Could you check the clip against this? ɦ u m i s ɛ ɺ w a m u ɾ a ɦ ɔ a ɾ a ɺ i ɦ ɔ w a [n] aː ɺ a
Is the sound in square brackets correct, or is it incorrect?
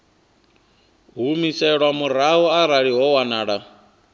correct